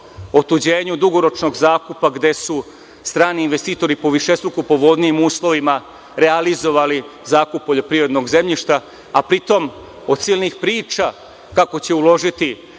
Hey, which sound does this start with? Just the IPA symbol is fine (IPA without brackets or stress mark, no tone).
o̞